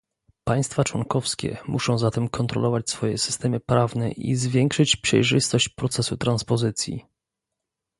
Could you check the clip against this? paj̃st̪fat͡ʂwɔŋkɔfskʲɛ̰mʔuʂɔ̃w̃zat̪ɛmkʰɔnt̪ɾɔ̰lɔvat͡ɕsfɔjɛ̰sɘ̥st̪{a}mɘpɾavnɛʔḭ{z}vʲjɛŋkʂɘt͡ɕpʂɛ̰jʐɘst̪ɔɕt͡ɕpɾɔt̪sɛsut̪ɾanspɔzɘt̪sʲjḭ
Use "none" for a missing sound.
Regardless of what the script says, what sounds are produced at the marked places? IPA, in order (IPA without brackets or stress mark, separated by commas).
ɛ, z